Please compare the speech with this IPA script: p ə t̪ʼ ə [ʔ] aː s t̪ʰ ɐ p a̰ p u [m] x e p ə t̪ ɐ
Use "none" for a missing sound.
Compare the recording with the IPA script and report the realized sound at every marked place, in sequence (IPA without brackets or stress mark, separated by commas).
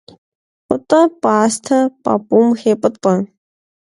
p, m